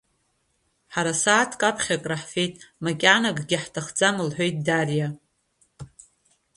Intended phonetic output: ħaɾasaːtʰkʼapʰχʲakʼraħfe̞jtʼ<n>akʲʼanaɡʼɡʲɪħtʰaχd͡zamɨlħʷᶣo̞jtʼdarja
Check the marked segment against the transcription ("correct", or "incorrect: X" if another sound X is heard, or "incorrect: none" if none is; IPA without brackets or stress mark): incorrect: m